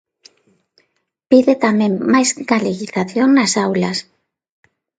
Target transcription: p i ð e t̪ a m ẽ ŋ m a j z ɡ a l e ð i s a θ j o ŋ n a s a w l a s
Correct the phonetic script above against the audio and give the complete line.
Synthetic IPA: p i ð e t̪ a m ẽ ŋ m a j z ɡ a l e ɣ i θ a θ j o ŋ n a s a w l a s